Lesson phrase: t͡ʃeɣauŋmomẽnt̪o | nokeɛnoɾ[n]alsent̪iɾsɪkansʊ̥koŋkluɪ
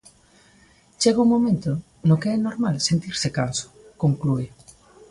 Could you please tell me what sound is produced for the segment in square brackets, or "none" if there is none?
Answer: m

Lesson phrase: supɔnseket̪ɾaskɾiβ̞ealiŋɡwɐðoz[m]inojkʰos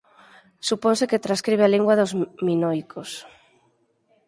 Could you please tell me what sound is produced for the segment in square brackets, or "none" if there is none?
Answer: m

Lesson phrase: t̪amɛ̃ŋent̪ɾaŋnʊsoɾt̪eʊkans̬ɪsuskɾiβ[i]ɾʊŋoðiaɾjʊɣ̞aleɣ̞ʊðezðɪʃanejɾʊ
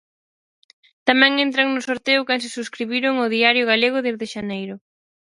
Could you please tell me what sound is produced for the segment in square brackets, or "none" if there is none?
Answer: i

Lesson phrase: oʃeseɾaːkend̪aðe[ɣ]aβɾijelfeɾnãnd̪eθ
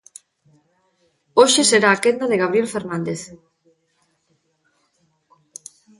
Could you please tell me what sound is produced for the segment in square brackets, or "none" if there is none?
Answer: ɣ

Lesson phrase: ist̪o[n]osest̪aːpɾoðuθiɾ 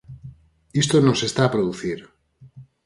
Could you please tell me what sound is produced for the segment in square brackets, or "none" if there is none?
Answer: n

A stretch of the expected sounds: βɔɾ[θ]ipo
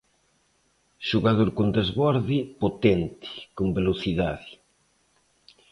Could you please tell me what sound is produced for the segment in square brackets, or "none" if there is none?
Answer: ð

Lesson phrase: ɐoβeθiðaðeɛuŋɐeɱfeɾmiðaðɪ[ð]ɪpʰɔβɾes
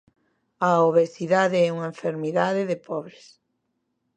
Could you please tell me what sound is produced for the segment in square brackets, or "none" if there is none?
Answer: ð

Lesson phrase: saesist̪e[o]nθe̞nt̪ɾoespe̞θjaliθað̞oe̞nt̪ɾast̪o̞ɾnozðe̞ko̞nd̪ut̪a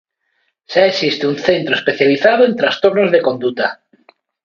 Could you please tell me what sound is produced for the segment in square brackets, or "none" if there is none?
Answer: u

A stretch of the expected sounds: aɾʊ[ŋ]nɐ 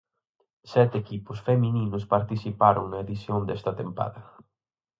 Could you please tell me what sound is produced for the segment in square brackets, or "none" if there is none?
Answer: ŋ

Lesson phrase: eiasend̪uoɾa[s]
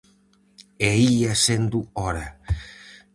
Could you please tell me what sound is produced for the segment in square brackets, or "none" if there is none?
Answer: none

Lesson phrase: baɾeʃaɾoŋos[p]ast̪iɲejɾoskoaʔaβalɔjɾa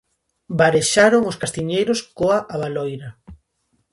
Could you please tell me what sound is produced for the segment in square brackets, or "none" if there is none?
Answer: k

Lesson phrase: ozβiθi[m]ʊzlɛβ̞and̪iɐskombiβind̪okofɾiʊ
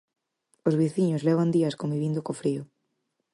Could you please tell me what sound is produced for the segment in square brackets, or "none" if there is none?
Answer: ɲ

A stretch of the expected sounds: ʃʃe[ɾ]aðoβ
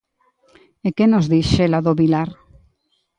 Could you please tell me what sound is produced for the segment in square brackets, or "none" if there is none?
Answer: l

